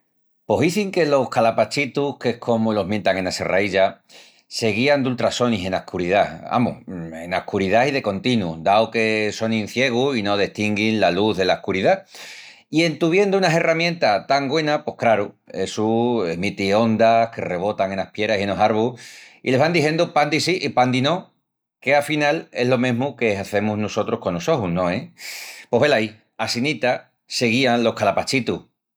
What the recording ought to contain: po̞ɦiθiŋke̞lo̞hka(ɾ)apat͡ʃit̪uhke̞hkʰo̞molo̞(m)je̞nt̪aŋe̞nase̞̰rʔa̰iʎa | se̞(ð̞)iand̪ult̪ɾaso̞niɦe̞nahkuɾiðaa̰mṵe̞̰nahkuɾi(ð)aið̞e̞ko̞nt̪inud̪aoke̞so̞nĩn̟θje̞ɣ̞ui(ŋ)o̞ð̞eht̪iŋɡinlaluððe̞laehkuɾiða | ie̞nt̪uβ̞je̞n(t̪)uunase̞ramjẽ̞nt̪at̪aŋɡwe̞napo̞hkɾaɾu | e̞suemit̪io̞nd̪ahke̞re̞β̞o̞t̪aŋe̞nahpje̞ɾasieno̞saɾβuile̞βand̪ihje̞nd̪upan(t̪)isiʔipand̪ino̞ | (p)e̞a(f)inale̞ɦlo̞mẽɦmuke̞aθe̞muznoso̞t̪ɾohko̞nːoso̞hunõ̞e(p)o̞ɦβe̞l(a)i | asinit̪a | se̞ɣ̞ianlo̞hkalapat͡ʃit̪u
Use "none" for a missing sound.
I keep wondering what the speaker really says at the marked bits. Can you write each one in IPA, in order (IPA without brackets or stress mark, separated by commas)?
l, m, ɣ̞, ð, n, d̪, d̪, k, f, p, a